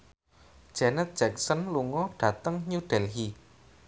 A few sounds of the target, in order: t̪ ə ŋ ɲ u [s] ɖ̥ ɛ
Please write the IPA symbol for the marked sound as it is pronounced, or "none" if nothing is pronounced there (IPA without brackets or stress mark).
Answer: none